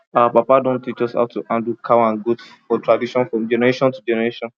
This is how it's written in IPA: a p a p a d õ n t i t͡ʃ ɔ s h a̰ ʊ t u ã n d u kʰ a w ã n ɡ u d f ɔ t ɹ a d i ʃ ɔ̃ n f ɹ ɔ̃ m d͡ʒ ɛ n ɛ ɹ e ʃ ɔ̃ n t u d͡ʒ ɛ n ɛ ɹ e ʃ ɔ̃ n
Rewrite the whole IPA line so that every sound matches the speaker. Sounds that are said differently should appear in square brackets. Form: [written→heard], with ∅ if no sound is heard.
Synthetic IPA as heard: a p a p a d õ n t i t͡ʃ ɔ s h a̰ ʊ t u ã n d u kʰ a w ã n ɡ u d f ɔ t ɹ a d i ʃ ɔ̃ n f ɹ ɔ̃ m d͡ʒ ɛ n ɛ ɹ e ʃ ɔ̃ n t u d͡ʒ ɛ n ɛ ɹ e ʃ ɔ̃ n